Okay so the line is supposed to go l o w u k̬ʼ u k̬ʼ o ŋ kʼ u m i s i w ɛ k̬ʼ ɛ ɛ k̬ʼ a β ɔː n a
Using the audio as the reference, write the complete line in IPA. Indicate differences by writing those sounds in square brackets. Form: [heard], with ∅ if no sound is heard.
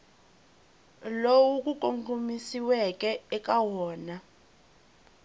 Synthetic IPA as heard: l o w u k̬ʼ u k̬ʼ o ŋ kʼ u m i s i w ɛ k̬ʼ ɛ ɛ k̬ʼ a [w] ɔː n a